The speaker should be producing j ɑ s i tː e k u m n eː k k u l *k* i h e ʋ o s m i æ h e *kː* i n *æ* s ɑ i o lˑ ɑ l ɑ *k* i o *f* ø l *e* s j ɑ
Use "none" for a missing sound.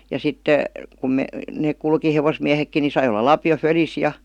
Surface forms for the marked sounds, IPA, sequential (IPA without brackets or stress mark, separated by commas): k, kː, i, p, f, i